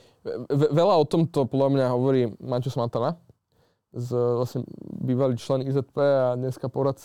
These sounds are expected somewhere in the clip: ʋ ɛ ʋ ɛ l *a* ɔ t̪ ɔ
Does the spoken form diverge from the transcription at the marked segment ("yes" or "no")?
no